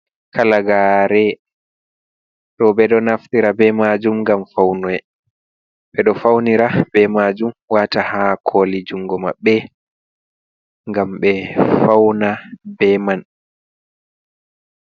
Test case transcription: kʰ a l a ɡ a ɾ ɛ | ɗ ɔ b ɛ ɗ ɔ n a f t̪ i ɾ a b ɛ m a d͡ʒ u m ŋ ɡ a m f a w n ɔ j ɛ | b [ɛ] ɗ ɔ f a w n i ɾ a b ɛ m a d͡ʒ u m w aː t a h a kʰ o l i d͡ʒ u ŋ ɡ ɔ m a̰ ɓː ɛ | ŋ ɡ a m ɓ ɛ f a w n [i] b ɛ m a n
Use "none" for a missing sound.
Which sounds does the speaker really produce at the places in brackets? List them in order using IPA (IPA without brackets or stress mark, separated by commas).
ɛ, a